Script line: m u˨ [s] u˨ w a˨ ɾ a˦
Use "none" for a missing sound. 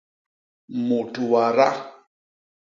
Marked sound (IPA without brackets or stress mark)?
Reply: t